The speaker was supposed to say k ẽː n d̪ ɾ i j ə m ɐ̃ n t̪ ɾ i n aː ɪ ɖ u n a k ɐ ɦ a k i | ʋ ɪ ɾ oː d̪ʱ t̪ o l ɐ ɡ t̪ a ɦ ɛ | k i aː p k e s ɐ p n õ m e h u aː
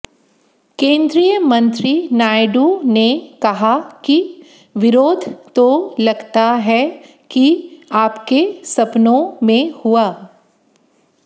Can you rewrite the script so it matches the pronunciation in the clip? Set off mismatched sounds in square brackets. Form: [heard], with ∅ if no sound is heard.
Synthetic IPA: k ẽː n d̪ ɾ i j ə m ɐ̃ n t̪ ɾ i n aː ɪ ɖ u n [e] k ɐ ɦ a k i | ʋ ɪ ɾ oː d̪ʱ t̪ o l ɐ ɡ t̪ a ɦ ɛ | k i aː p k e s ɐ p n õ m [ẽ] h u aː